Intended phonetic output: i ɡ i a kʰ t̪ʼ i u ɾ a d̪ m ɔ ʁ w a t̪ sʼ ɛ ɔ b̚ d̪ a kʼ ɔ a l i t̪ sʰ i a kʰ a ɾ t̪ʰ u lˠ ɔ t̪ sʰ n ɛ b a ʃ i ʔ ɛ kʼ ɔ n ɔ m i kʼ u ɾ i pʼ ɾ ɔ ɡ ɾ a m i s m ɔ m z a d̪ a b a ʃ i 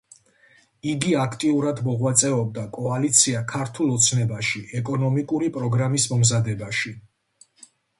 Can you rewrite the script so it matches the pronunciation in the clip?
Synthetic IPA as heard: i ɡ i a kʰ t̪ʼ i u ɾ a d̪ m ɔ ʁ w a t̪ sʼ ɛ ɔ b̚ d̪ a kʼ ɔ a l i t̪ sʰ i a kʰ a ɾ t̪ʰ u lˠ ɔ t̪ sʰ n ɛ b a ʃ i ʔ ɛ kʼ ɔ n ɔ m i kʼ u ɾ i pʼ ɾ ɔ ɡ ɾ a m i s m ɔ m z a d̪ ɛ b a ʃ i